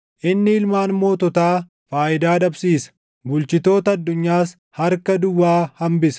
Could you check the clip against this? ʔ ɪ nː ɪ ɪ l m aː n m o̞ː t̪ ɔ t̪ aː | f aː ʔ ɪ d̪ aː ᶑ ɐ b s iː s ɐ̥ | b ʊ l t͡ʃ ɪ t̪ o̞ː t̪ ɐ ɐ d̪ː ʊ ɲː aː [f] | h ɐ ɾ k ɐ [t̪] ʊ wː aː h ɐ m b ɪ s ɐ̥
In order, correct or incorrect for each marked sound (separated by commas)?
incorrect, incorrect